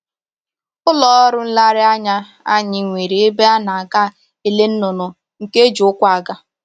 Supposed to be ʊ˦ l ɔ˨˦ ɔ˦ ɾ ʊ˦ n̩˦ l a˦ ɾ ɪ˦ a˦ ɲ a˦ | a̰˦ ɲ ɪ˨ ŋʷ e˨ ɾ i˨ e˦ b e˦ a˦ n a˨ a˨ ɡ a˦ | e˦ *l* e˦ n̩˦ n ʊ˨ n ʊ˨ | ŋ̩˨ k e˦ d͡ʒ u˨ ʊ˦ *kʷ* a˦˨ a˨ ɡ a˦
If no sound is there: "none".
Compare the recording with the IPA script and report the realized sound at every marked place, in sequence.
l, kʷ

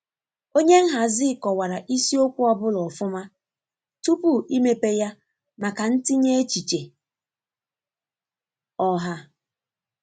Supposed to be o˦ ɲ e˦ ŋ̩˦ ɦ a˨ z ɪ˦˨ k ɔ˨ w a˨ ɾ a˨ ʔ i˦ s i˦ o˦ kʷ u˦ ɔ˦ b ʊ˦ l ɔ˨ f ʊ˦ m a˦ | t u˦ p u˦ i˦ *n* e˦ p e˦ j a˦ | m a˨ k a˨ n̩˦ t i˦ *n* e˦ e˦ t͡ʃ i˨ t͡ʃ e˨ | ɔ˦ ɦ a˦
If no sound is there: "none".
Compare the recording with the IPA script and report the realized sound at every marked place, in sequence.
m, ɲ

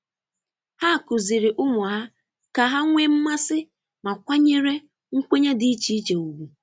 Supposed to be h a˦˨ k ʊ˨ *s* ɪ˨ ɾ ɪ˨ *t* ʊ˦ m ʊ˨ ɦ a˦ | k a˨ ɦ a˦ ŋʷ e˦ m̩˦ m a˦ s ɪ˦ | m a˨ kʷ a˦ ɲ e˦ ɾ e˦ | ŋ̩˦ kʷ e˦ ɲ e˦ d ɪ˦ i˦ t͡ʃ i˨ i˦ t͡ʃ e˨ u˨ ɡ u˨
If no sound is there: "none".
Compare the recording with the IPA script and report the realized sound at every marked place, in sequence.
z, ʔ

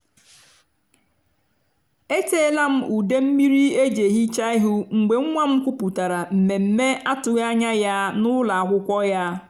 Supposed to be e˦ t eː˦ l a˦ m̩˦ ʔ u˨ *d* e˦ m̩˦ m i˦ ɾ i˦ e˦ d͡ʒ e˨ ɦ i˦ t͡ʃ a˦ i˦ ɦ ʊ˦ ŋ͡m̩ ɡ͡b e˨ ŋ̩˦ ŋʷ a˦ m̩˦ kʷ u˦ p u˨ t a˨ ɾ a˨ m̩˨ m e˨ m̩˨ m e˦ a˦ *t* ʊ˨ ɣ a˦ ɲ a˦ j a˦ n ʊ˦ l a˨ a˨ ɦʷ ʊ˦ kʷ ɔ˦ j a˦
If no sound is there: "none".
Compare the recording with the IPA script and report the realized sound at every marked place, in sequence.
d, t

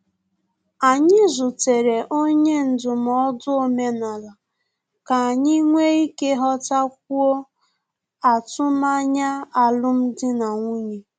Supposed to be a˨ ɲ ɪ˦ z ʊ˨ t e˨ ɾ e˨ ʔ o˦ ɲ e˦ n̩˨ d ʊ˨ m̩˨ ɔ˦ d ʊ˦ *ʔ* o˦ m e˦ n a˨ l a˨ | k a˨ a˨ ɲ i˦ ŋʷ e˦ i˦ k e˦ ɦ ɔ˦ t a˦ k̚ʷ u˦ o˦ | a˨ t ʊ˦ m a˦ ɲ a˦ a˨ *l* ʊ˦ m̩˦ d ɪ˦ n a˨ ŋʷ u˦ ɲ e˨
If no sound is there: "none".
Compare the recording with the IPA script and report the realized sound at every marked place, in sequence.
none, l

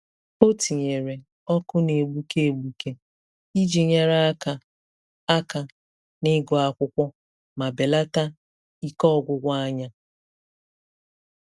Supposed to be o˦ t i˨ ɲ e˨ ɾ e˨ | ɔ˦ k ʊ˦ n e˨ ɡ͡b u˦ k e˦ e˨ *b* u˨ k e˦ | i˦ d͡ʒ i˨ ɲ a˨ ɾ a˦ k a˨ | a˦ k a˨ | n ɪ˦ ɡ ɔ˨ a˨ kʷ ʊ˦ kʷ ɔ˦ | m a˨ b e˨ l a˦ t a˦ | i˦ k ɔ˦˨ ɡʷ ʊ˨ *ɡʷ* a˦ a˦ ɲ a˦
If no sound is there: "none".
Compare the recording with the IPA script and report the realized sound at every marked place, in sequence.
ɡ͡b, ɡʷ

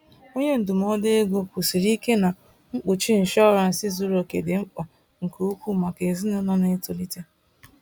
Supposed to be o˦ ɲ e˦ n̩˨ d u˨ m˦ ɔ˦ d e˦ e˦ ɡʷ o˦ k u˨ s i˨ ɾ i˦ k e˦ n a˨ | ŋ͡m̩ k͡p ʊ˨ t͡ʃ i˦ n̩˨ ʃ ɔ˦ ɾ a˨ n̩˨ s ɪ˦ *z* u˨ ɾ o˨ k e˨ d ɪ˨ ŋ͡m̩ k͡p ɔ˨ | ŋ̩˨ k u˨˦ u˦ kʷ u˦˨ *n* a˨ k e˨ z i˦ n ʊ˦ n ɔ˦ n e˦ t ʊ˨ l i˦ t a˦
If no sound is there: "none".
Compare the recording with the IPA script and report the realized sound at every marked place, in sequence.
z, m

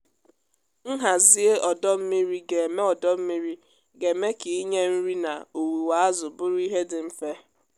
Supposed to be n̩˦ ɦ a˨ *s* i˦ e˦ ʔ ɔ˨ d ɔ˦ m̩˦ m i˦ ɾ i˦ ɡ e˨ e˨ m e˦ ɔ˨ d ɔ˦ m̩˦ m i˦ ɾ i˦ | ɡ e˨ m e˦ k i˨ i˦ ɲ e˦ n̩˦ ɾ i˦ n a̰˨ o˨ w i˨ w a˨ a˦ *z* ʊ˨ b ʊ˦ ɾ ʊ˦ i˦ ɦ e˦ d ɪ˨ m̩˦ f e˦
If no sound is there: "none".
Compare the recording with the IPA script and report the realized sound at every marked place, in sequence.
z, z

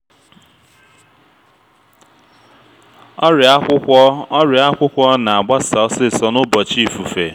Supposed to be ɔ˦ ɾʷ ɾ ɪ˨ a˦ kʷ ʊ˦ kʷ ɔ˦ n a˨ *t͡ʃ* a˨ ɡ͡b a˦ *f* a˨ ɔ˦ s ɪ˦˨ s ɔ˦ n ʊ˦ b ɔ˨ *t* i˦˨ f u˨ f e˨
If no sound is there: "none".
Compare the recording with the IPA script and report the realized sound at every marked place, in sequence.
none, s, t͡ʃ

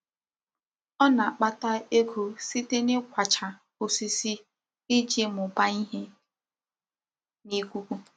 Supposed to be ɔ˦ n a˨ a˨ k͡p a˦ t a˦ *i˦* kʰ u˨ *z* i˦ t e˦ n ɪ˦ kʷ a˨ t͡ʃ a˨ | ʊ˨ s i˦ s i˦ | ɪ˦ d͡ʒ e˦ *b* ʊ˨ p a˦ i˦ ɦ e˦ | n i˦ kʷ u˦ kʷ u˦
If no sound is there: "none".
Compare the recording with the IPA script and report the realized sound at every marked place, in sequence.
e˦, s, m

